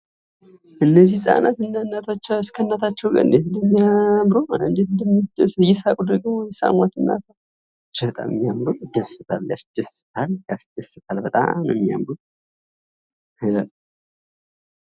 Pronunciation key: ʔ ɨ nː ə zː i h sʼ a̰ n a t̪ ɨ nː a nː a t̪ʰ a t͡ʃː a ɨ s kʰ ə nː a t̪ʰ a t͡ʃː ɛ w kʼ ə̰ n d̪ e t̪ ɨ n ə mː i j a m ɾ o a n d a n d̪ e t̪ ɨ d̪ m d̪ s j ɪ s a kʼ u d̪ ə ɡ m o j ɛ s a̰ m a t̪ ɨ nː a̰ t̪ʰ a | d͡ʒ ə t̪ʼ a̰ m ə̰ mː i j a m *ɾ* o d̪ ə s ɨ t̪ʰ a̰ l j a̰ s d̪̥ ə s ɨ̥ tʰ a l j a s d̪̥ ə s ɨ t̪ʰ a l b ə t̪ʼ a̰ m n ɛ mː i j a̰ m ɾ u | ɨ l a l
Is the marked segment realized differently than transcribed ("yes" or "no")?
no